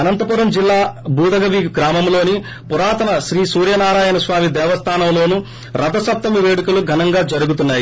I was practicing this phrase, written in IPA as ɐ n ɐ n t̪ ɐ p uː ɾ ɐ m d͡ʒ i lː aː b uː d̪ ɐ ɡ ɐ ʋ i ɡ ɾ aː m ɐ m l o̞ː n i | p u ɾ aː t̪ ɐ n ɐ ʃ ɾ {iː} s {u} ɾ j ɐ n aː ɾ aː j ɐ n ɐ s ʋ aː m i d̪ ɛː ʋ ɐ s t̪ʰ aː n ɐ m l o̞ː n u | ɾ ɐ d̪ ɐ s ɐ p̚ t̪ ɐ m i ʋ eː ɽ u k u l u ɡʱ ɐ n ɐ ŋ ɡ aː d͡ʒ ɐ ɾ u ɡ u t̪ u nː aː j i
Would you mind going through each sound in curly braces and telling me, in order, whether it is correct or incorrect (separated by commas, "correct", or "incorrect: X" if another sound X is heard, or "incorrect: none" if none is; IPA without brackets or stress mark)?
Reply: correct, incorrect: uː